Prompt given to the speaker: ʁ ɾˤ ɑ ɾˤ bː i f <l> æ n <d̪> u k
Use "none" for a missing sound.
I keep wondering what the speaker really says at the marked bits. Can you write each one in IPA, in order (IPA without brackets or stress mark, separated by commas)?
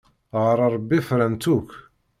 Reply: ɾ, t̪